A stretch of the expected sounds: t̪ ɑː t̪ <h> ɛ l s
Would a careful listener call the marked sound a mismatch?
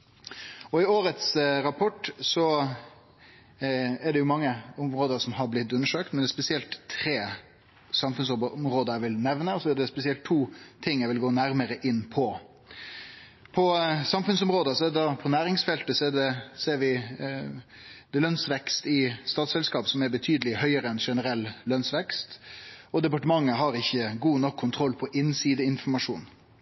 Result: yes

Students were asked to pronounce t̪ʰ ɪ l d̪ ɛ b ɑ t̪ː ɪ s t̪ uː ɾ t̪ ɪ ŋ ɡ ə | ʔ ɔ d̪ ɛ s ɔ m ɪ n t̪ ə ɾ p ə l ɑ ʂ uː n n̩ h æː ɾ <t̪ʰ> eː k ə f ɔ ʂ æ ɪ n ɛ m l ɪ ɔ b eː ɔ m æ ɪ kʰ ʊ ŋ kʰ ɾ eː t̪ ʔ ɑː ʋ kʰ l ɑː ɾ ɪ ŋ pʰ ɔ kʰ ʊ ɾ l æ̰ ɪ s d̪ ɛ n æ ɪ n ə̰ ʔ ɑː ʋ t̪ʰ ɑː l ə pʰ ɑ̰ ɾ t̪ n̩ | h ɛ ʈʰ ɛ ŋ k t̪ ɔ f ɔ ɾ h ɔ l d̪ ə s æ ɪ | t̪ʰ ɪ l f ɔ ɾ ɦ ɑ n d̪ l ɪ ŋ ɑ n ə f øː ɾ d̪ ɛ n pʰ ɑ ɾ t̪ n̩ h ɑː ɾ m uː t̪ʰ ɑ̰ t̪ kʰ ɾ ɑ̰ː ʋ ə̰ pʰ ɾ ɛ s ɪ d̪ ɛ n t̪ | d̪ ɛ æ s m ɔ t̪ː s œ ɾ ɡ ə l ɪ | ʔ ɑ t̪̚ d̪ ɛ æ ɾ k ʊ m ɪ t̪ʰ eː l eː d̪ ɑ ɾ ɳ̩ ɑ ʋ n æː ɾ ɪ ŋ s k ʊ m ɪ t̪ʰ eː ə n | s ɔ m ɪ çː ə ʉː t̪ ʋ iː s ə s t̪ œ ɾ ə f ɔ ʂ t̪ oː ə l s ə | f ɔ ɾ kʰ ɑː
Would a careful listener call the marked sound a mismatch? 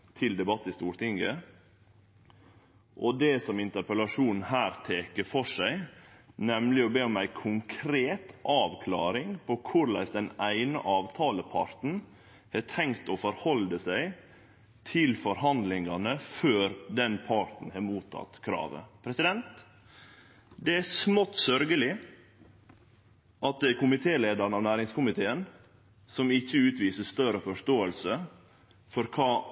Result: no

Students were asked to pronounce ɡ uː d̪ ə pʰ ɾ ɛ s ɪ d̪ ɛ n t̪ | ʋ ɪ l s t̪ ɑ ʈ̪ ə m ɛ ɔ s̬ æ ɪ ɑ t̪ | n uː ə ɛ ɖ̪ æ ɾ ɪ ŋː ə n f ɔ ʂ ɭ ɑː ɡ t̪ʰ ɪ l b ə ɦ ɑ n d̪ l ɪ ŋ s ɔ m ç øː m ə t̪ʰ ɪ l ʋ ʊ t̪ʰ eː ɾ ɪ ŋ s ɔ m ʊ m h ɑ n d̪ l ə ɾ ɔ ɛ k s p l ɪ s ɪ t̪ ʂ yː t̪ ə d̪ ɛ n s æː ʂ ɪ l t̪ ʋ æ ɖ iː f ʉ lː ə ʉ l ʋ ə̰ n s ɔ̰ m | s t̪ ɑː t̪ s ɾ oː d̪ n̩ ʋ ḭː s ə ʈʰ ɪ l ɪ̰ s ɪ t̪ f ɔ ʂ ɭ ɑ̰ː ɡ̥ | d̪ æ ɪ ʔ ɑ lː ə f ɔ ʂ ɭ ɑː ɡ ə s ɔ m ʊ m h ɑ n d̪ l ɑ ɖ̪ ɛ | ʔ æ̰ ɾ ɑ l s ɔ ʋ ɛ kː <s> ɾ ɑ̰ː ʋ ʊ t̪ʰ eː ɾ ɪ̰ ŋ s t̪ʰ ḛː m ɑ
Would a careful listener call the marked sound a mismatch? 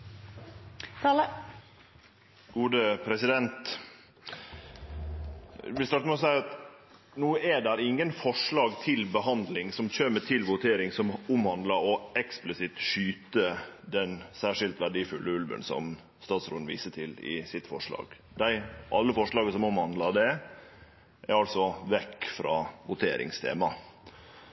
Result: yes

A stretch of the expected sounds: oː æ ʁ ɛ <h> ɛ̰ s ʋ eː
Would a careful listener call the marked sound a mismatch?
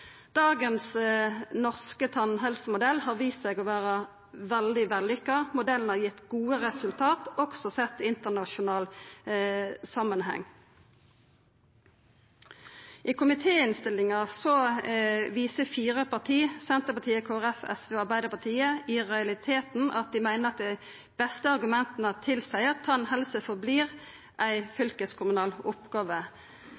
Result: yes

